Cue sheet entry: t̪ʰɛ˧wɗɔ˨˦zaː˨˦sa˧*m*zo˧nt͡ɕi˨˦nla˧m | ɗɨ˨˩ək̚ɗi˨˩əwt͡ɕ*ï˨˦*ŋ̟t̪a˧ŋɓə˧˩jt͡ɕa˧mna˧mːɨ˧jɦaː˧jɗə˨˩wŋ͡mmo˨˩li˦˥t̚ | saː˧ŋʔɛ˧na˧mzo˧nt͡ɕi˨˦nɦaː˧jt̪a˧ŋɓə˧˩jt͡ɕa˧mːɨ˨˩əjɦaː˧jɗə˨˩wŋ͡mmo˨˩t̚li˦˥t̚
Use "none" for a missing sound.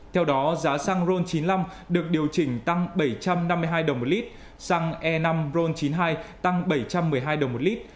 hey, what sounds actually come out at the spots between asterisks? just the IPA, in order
ŋ, ï˧˩

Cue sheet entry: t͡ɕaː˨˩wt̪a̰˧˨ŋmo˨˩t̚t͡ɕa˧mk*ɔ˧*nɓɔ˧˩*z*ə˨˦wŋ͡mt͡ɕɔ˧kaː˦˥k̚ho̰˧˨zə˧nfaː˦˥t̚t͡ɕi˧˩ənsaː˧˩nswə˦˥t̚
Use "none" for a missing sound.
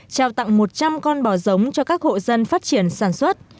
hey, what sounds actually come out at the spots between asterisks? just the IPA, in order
ɔ˧, z

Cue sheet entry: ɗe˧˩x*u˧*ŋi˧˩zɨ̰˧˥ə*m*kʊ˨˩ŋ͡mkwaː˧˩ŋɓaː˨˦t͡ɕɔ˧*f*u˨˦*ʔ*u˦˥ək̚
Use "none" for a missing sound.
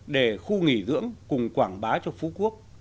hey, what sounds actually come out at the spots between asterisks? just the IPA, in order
u˧, ŋ, f, k

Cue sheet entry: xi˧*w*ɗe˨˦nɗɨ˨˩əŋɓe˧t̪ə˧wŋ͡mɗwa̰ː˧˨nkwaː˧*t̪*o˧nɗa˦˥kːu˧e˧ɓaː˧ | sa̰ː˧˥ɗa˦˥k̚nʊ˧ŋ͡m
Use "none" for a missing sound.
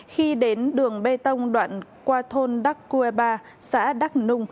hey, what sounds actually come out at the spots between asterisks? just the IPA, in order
none, t̪ʰ

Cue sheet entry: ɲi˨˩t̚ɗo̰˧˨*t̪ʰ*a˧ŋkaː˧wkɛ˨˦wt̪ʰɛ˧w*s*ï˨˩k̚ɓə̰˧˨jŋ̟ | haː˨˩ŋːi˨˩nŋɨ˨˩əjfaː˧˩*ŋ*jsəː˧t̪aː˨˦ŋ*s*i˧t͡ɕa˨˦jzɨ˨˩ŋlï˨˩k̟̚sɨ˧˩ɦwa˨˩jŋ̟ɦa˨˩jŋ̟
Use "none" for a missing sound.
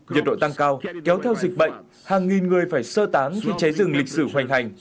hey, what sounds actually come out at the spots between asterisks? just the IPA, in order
t̪, z, none, x

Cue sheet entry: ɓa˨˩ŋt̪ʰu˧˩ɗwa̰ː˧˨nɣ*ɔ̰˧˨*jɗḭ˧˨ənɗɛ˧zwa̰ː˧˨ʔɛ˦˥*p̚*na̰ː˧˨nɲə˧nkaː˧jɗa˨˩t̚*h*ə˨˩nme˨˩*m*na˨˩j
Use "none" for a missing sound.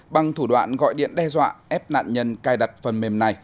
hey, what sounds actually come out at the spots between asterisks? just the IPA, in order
ɔ̰˧˨, p̚, f, m

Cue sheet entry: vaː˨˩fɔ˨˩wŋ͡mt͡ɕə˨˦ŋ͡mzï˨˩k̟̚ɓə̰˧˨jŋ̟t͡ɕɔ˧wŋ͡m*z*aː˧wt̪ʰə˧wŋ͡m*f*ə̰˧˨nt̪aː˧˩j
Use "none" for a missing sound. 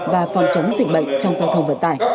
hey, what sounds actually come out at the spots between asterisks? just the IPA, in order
z, v

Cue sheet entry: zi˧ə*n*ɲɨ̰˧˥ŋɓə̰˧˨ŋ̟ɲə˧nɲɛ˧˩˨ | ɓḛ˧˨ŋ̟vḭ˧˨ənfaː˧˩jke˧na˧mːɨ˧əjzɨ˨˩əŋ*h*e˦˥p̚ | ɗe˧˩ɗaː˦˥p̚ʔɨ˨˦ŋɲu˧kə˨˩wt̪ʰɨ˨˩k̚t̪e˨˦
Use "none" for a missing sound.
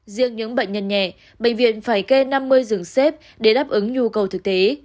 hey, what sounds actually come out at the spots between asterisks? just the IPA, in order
ŋ, s

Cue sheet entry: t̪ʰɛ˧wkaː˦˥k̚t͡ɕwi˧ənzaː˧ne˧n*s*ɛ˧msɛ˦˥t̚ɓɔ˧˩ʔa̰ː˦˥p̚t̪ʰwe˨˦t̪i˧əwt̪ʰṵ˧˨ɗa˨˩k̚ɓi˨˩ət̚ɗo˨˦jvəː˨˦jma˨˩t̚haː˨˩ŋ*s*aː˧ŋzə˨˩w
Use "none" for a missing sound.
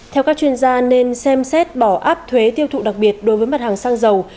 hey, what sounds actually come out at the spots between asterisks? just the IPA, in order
s, s

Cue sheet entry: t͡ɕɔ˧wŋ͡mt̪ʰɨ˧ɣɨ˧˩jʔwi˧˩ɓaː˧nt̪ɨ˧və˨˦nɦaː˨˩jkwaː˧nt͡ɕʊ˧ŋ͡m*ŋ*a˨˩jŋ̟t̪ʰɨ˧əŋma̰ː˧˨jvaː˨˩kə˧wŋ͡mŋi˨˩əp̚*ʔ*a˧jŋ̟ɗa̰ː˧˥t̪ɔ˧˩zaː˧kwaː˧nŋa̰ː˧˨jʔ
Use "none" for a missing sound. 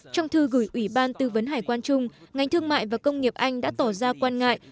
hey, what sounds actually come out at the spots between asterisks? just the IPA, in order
ŋ, ʔ

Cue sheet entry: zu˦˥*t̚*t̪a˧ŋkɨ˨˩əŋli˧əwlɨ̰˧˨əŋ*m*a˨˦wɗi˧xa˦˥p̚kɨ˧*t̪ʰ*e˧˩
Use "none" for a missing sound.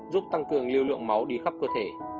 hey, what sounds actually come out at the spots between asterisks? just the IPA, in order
p̚, m, t̪ʰ

